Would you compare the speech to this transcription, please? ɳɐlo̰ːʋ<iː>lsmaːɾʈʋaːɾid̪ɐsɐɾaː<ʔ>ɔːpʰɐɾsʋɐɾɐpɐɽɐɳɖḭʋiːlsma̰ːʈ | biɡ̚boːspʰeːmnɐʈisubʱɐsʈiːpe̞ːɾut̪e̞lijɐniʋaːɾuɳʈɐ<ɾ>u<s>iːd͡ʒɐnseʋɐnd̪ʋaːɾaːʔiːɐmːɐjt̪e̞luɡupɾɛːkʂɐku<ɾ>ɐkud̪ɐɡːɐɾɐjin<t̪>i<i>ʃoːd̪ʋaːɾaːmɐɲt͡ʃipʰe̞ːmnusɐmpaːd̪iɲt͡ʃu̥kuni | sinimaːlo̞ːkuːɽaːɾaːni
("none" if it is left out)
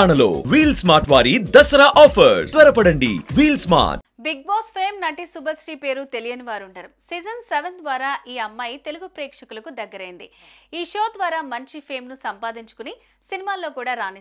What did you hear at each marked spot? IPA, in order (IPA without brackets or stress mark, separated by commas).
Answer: iː, ʔ, ɾ, s, l, d̪, iː